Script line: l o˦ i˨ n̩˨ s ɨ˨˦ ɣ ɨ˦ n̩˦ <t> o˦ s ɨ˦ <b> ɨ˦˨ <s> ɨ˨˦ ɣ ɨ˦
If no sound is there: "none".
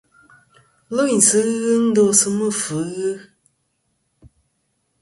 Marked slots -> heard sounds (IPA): d, m, f

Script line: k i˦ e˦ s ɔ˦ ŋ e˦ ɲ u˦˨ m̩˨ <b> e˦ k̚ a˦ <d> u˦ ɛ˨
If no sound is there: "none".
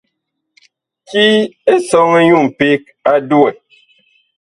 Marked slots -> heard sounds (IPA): p, d

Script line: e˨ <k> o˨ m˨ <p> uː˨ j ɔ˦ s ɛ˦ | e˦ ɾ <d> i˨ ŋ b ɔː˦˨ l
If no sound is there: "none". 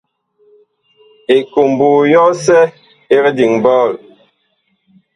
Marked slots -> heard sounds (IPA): k, b, d

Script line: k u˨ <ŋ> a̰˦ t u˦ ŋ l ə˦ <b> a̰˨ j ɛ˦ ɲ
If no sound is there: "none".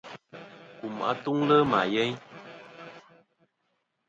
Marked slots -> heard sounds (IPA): m, m

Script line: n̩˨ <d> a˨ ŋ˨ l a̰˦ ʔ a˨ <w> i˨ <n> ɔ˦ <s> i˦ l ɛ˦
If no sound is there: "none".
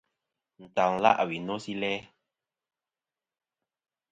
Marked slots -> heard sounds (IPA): t, w, n, s

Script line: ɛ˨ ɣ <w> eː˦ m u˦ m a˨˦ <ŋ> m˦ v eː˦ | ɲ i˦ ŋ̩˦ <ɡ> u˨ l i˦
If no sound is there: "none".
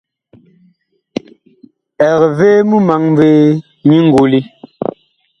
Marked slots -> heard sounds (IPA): v, ŋ, ɡ

